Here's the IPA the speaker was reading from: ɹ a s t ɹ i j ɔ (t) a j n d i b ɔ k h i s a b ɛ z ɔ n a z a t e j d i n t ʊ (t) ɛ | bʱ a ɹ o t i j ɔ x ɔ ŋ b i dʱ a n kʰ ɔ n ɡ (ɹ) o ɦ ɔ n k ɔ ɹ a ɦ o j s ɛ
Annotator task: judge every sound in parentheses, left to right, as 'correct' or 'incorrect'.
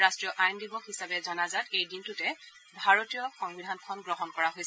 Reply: incorrect: ʔ, correct, correct

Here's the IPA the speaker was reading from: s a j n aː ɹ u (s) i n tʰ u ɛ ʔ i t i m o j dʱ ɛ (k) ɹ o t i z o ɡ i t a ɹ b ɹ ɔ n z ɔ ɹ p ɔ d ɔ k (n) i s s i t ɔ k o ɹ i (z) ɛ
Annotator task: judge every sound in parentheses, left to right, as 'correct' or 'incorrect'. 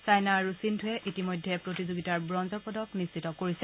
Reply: correct, incorrect: p, correct, incorrect: s

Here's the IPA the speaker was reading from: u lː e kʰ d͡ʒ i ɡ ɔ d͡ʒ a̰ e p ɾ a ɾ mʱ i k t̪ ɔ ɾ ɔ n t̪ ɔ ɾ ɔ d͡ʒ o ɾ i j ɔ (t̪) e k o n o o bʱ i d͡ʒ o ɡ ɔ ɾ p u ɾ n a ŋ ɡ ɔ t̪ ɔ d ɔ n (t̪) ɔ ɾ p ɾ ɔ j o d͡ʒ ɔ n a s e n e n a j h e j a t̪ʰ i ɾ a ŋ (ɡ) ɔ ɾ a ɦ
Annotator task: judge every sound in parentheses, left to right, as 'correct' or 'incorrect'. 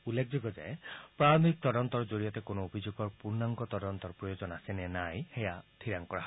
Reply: correct, correct, incorrect: k

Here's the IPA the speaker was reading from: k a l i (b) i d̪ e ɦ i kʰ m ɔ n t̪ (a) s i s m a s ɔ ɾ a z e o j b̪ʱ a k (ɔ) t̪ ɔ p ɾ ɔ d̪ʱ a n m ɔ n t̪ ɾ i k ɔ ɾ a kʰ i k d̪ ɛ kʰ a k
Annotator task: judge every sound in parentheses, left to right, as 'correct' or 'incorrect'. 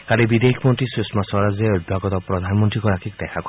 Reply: correct, incorrect: i, correct

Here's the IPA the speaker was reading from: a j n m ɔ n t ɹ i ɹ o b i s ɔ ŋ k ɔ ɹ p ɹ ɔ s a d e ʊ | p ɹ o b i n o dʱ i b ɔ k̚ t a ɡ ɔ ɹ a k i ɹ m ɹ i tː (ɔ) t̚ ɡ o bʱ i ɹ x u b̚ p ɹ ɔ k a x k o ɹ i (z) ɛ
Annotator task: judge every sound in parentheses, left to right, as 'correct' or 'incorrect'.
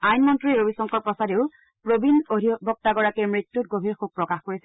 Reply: incorrect: u, incorrect: s

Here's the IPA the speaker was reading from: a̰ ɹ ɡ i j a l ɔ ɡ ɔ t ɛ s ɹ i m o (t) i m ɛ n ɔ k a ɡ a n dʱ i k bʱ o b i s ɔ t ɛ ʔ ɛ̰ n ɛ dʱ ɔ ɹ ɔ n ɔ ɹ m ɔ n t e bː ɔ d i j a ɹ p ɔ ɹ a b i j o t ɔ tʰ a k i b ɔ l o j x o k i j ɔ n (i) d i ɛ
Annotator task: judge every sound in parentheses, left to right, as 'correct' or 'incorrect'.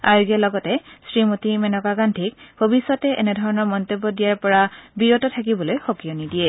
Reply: correct, correct

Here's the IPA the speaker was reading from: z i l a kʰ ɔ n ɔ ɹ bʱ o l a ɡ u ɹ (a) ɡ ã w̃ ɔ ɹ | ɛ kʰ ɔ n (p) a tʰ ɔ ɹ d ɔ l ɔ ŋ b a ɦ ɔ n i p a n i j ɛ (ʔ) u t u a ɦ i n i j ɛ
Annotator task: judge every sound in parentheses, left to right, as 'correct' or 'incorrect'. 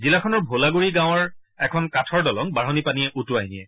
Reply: incorrect: i, incorrect: k, correct

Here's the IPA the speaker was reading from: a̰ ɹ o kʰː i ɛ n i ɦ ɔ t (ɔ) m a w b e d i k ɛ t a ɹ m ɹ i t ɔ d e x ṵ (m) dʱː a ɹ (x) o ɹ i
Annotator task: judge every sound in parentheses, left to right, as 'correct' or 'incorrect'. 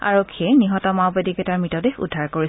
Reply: correct, incorrect: none, incorrect: k

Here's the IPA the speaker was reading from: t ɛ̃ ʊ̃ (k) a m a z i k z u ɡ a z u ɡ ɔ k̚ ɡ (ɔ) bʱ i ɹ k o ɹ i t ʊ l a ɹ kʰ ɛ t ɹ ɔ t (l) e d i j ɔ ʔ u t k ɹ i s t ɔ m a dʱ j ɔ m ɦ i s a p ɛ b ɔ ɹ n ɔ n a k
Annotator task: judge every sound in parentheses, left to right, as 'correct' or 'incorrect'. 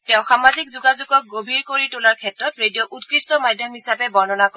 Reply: incorrect: x, incorrect: o, incorrect: ɹ

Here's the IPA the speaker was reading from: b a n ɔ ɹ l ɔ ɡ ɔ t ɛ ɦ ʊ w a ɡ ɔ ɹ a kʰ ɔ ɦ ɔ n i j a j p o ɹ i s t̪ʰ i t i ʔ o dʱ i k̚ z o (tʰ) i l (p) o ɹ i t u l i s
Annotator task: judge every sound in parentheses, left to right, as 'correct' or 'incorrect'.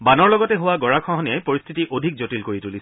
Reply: incorrect: t, incorrect: k

